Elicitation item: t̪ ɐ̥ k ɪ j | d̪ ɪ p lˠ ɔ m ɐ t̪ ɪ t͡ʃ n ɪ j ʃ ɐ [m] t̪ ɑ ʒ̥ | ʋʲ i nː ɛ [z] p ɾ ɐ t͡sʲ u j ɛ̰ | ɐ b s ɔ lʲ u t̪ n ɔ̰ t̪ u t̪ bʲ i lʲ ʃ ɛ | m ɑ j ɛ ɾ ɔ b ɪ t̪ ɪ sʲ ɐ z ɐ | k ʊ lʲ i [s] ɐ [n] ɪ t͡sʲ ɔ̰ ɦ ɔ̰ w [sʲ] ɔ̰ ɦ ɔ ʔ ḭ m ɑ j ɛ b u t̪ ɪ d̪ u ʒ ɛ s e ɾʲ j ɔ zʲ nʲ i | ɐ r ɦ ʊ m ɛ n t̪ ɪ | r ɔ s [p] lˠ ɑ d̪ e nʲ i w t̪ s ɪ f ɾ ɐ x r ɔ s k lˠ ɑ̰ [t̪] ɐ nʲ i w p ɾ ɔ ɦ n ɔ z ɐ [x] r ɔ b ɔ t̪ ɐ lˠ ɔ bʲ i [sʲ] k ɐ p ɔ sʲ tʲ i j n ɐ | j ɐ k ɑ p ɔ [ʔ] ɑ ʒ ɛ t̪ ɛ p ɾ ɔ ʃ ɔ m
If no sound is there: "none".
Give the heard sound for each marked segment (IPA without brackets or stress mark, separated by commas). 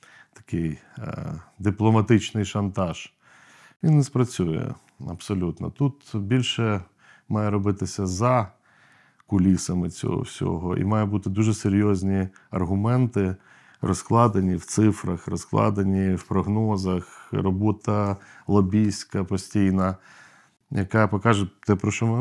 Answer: n, s, s, m, sʲ, k, d̪, x, sʲ, k